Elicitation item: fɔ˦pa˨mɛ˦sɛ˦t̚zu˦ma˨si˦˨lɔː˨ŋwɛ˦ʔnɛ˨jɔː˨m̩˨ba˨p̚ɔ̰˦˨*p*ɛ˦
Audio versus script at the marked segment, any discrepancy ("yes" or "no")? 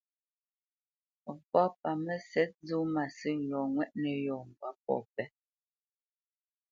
no